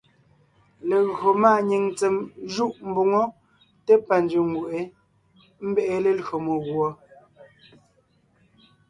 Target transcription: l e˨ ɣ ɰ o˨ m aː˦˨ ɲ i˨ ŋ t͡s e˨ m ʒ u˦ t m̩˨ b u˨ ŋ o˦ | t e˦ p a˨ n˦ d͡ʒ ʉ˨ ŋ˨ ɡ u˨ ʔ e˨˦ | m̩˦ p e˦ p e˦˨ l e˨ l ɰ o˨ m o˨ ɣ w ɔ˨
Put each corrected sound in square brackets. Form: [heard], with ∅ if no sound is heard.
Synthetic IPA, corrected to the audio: l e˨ ɣ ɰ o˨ m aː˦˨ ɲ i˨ ŋ t͡s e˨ m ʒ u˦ [ʔ] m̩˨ b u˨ ŋ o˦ | t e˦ p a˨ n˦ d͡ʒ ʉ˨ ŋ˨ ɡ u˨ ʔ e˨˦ | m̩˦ [b] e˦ [ʔ] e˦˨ l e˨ l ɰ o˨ m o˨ ɣ w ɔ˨